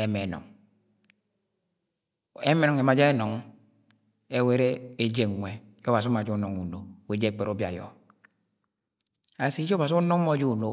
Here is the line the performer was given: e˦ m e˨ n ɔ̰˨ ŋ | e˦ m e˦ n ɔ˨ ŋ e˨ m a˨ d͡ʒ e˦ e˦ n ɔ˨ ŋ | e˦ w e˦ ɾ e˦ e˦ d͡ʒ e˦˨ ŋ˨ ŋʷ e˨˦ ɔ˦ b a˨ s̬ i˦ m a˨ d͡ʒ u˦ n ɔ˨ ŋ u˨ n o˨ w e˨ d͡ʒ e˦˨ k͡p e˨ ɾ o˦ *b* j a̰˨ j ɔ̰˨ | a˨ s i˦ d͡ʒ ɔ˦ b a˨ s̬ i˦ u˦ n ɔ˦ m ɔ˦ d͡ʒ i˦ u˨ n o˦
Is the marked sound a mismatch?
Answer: no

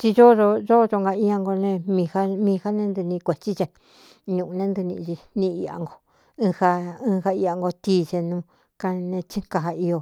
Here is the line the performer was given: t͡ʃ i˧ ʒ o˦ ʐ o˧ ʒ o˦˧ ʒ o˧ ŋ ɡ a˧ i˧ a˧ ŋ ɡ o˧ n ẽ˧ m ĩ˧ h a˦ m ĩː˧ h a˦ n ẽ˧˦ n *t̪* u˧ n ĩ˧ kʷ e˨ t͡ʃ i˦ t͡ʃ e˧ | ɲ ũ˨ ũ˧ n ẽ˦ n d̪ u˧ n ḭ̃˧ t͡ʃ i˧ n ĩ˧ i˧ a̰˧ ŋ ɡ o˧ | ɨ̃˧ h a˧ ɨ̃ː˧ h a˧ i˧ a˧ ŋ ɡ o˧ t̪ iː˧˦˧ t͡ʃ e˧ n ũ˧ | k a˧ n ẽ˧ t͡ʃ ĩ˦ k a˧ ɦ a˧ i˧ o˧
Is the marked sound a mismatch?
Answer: yes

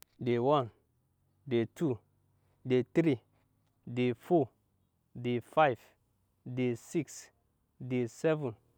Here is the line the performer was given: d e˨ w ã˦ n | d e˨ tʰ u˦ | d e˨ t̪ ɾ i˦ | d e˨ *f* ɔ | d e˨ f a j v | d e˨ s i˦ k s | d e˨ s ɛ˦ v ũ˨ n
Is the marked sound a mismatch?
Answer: no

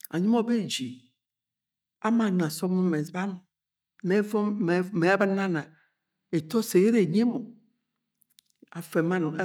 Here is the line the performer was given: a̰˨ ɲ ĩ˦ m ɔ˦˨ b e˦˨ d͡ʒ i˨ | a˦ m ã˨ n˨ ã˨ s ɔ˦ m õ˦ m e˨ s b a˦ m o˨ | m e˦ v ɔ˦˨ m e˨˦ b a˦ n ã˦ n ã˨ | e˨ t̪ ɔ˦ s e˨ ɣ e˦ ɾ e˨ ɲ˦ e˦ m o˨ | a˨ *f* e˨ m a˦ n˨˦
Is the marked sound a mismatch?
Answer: no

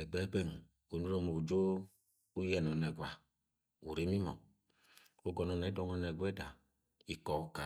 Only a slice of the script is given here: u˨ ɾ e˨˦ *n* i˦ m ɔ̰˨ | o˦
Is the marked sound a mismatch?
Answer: yes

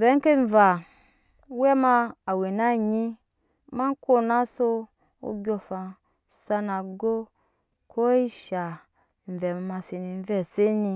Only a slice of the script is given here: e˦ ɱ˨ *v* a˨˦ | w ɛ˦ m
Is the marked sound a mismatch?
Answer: no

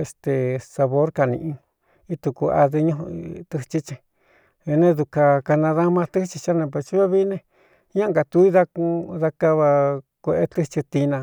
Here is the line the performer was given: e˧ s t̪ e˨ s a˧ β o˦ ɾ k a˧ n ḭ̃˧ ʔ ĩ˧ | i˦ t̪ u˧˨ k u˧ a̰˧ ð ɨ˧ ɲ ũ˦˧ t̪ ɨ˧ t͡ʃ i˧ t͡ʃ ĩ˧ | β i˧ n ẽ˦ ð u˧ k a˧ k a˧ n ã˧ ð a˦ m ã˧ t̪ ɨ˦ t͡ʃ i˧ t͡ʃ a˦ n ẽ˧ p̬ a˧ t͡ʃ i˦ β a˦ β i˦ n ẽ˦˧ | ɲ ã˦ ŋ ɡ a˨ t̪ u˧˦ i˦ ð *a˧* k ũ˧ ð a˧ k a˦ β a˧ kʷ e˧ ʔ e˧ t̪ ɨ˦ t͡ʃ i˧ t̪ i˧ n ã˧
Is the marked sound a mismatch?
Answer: no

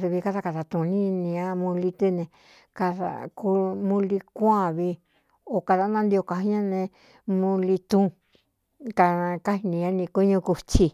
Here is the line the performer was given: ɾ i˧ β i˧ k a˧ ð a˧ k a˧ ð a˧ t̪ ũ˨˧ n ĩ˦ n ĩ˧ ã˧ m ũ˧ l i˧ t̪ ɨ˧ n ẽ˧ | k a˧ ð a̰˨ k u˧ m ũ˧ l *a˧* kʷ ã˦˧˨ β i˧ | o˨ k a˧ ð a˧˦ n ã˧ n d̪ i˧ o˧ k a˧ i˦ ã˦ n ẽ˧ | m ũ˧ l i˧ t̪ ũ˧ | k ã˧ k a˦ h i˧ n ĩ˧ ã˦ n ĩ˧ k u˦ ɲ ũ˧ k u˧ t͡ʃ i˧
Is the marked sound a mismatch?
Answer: yes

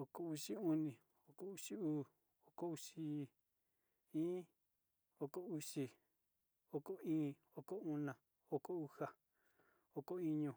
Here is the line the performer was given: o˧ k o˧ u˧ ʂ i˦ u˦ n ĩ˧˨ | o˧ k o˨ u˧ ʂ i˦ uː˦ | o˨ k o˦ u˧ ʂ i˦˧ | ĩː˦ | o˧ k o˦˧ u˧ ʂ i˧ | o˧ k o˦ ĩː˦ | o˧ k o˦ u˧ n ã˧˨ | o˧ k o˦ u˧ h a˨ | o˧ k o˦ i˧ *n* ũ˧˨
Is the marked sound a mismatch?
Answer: yes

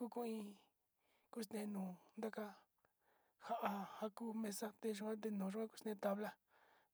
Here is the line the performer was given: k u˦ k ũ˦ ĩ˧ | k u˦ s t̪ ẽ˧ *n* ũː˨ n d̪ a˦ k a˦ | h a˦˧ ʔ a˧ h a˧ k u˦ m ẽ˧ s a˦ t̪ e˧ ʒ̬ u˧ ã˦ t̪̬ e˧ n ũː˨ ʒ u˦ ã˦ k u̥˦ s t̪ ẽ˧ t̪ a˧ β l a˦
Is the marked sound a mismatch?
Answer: no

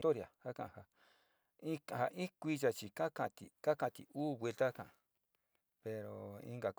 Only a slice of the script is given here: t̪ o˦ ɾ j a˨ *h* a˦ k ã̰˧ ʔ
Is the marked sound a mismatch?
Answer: no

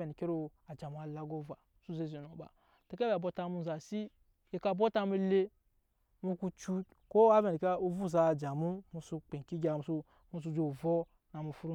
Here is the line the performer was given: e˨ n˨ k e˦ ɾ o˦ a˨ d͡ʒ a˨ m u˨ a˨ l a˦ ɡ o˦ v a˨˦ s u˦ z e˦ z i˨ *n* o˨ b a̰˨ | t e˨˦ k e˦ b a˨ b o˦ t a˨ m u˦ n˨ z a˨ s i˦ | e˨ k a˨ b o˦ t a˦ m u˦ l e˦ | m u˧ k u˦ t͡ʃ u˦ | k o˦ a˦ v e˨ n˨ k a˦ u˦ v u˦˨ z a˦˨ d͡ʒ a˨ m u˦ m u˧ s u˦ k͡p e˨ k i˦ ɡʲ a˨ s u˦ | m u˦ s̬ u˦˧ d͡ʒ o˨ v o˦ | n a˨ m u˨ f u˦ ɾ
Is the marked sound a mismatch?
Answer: no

